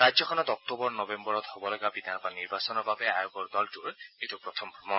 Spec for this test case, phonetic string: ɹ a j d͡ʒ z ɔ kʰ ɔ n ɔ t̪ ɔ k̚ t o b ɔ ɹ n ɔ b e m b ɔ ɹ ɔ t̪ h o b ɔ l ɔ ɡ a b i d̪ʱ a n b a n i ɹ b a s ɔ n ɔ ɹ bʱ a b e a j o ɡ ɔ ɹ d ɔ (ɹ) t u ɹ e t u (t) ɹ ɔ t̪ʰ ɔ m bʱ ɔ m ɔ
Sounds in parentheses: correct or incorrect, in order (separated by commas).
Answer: incorrect, incorrect